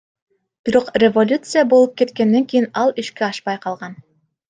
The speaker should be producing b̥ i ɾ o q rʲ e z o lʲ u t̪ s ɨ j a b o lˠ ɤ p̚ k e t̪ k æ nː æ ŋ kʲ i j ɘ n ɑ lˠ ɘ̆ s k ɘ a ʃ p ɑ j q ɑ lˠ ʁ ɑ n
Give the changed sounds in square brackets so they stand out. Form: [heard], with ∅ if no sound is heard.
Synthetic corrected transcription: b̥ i ɾ o q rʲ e [v] o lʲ u t̪ s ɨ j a b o lˠ ɤ p̚ k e t̪ k æ nː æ ŋ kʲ i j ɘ n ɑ lˠ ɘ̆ [ʃ] k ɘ [ɑ] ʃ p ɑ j q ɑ lˠ ʁ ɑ n